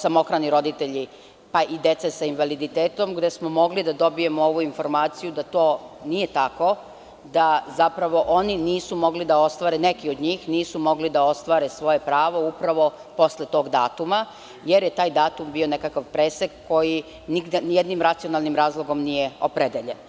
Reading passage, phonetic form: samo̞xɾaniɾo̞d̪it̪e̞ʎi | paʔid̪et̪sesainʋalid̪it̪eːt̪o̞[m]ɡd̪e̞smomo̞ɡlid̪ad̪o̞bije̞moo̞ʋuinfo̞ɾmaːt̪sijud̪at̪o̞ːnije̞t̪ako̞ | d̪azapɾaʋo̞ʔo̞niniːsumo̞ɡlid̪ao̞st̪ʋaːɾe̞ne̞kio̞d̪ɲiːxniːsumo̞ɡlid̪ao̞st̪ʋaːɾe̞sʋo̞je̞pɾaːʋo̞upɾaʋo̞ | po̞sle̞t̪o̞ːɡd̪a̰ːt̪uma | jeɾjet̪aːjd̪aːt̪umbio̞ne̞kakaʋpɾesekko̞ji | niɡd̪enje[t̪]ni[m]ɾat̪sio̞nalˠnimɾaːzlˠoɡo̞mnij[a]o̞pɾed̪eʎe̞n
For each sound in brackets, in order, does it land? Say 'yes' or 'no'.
yes, no, yes, no

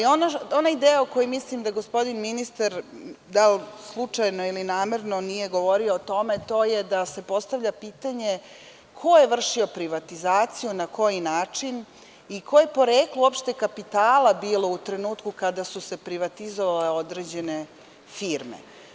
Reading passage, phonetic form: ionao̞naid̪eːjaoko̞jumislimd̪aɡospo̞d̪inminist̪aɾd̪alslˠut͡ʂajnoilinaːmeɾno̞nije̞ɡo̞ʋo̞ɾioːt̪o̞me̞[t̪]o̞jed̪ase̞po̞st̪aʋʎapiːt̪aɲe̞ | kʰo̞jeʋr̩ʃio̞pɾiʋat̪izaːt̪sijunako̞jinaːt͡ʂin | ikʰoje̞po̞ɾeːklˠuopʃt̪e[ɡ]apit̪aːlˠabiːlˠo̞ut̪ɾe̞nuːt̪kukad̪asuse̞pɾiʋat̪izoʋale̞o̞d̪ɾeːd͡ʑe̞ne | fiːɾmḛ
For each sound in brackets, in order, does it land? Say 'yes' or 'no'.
yes, no

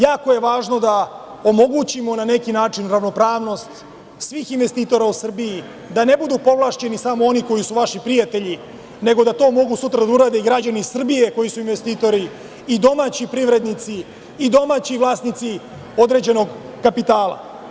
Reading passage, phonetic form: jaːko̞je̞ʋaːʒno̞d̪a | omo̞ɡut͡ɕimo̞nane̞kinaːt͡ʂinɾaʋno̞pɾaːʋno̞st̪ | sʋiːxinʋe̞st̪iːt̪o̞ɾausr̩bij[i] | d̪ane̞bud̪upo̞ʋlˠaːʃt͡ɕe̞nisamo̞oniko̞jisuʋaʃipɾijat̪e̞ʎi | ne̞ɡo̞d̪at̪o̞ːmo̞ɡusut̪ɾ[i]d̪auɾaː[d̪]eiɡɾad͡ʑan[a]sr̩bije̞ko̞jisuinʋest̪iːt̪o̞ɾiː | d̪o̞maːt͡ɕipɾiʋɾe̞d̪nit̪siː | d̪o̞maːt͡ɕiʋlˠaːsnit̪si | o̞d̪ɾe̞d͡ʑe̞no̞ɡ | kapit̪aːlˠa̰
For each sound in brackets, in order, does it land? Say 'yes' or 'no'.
yes, no, yes, no

